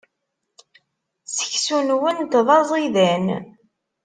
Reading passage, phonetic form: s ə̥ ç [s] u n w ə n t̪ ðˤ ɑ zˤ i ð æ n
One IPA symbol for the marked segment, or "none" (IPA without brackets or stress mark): s